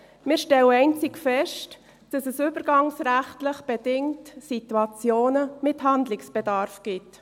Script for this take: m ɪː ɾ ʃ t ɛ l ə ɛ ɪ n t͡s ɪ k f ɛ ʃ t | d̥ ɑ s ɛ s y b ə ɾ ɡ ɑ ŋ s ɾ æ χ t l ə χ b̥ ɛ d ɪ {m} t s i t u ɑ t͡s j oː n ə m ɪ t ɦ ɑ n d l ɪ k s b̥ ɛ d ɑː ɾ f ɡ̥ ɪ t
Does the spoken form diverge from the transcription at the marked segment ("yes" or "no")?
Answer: yes